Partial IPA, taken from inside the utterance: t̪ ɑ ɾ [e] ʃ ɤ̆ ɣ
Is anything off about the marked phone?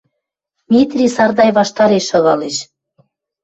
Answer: no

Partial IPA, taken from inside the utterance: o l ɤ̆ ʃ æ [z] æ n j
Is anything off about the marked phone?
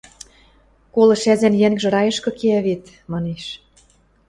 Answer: no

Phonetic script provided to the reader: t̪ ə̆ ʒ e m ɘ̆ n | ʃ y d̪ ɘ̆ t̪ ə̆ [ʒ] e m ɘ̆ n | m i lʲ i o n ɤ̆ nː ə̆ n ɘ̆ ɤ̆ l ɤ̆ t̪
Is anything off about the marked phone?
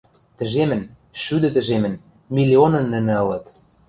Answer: no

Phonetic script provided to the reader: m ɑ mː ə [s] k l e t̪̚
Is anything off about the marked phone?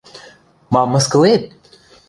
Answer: no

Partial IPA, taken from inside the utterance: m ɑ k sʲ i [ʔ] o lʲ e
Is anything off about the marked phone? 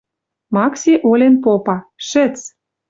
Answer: no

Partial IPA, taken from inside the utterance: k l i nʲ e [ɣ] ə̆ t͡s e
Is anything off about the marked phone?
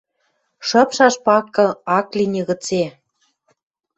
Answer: no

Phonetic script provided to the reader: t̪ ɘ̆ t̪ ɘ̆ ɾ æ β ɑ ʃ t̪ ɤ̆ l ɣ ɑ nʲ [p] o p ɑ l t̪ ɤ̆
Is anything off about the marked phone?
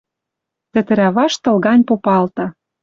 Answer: no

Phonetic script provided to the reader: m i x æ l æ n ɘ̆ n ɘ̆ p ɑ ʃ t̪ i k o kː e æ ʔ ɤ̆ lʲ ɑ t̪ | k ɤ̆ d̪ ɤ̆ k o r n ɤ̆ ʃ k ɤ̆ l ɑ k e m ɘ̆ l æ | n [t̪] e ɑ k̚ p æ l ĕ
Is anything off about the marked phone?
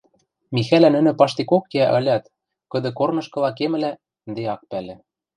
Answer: yes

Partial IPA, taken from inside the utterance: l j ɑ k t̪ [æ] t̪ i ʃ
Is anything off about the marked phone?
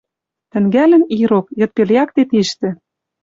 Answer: yes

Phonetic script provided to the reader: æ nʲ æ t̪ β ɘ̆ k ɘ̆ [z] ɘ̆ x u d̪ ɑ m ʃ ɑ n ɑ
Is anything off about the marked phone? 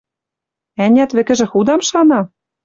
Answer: yes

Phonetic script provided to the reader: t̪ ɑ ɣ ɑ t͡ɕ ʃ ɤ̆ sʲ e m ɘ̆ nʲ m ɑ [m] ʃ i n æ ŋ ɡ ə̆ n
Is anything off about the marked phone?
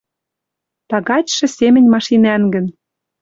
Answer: yes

